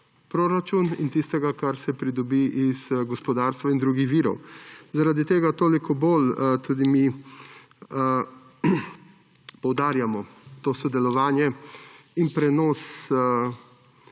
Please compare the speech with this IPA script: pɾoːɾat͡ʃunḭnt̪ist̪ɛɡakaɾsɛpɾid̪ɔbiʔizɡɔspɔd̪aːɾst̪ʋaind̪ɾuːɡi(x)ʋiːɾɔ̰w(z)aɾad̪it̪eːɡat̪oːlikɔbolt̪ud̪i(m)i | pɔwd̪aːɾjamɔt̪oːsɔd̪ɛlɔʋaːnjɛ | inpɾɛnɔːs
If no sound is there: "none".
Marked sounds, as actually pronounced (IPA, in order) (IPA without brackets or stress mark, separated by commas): x, z, m